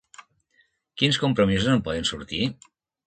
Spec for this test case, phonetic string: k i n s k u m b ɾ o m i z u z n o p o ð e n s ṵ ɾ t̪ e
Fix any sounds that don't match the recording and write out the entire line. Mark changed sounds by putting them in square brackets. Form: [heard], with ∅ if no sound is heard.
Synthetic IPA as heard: k i n s k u m [p] ɾ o m i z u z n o p [ɔ] ð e n s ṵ ɾ t̪ [i]